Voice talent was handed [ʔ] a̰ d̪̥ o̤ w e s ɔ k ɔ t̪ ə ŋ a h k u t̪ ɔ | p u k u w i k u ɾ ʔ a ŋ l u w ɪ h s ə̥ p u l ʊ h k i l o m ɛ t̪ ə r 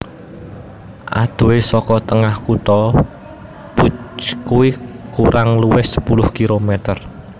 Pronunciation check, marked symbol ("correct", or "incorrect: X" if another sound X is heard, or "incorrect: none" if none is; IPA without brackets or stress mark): correct